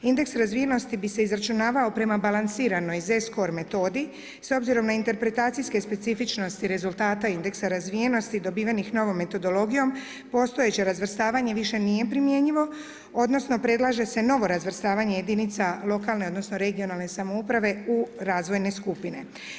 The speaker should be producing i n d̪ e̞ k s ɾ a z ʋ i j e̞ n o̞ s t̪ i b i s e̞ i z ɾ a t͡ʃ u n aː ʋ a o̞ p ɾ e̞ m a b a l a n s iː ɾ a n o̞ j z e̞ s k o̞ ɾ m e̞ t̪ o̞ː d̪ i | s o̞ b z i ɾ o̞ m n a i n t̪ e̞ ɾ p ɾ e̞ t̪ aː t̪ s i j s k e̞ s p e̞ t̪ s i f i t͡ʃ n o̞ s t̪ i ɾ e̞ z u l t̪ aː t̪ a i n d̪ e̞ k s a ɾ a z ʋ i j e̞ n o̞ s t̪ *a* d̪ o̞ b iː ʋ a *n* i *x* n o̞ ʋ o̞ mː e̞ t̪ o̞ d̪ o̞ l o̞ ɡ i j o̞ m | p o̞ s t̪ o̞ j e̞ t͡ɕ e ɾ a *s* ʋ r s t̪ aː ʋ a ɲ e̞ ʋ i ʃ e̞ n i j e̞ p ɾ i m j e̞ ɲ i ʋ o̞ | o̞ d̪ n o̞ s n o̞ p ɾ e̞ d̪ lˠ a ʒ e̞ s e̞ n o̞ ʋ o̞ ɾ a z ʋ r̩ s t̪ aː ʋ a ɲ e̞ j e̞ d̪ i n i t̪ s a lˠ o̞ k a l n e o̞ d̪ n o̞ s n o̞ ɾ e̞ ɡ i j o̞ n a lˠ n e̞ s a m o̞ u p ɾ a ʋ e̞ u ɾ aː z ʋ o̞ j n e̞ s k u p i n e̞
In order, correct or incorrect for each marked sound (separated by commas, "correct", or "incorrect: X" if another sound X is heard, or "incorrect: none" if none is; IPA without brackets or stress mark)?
incorrect: i, correct, correct, incorrect: z